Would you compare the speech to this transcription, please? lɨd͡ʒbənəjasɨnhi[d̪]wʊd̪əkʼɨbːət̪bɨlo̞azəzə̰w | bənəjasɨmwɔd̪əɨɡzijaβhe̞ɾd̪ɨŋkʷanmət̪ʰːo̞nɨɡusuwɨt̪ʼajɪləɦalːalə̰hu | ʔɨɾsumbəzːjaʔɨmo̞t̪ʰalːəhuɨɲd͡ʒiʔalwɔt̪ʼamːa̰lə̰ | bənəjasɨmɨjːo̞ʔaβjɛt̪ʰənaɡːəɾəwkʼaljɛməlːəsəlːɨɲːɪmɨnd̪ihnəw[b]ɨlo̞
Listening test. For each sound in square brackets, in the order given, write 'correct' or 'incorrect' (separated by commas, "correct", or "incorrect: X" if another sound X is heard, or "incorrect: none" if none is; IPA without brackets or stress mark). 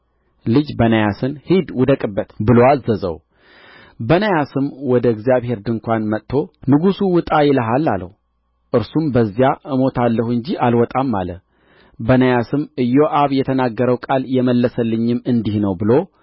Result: correct, correct